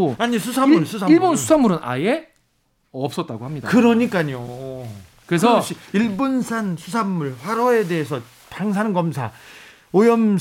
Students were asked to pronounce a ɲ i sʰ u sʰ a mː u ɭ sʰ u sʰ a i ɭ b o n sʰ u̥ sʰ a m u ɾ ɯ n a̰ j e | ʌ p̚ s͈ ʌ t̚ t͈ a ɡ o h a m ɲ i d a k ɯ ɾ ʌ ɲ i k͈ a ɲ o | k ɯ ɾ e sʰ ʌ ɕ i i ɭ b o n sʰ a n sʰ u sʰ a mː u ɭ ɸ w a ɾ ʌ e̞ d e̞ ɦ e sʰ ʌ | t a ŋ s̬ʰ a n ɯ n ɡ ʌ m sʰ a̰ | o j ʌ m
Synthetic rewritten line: a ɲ i sʰ u sʰ a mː u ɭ sʰ u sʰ a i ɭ b o n sʰ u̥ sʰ a m u ɾ ɯ n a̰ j e | ʌ p̚ s͈ ʌ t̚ t͈ a ɡ o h a m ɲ i d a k ɯ ɾ ʌ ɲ i k͈ a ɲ o | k ɯ ɾ e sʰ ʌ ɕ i i ɭ b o n sʰ a n sʰ u sʰ a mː u ɭ ɸ w a ɾ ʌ e̞ d e̞ ɦ e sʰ ʌ | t a ŋ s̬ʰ a n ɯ n ɡ ʌ m sʰ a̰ | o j ʌ m